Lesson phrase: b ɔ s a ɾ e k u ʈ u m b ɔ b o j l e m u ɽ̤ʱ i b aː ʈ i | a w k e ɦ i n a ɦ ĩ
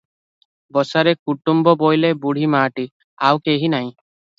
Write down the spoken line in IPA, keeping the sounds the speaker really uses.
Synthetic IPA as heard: b ɔ s a ɾ e k u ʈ u m b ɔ b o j l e b u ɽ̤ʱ i m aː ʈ i | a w k e ɦ i n a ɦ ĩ